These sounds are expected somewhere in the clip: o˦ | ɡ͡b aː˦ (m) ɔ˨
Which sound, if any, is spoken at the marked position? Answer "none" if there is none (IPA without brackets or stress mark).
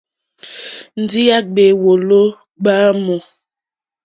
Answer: m